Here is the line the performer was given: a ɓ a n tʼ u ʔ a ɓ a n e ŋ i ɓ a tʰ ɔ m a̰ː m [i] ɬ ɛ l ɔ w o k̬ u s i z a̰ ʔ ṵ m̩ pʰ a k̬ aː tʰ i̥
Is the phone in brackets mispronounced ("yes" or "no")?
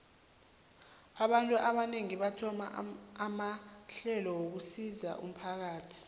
yes